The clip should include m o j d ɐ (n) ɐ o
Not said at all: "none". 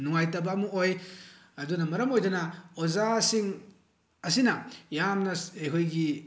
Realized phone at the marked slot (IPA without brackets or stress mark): n